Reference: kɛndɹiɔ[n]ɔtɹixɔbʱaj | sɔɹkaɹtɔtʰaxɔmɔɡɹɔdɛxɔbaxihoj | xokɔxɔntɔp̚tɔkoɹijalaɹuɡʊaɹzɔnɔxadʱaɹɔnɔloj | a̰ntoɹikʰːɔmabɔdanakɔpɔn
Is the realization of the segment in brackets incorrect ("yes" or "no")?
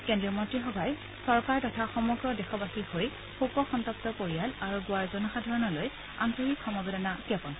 yes